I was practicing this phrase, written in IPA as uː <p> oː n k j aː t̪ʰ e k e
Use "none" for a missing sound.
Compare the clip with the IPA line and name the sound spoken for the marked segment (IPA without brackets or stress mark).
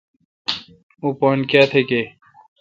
p